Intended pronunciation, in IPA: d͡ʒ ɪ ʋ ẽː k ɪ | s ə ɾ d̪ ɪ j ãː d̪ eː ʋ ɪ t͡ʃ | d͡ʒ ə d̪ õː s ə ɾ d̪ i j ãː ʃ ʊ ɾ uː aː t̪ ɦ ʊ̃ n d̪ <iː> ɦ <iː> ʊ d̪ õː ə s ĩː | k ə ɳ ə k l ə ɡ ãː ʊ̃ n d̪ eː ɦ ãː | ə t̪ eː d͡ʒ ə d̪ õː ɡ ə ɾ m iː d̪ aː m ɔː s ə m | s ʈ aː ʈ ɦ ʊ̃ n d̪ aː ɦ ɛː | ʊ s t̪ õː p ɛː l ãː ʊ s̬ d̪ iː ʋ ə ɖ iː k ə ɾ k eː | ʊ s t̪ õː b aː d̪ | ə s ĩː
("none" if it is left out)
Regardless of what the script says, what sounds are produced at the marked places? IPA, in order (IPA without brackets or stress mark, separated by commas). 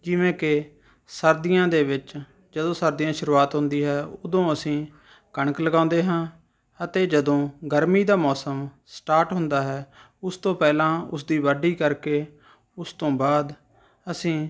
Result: iː, ɛː